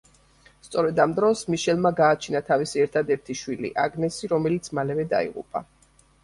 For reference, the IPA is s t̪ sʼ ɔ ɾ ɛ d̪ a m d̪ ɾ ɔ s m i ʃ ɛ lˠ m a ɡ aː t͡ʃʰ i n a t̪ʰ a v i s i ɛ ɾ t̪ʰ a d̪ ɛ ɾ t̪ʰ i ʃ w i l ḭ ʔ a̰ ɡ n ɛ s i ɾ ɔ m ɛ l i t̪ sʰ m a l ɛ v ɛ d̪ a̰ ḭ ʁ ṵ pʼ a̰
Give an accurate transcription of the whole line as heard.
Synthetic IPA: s t̪ sʼ ɔ ɾ ɛ d̪ a m d̪ ɾ ɔ s m i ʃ ɛ lˠ m a ɡ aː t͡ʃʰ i n a t̪ʰ a v i s i ɛ ɾ t̪ʰ a d̪ ɛ ɾ t̪ʰ i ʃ w i l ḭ ʔ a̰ ɡ n ɛ s i ɾ ɔ m ɛ l i t̪ sʰ m a l ɛ v ɛ d̪ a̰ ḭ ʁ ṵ pʼ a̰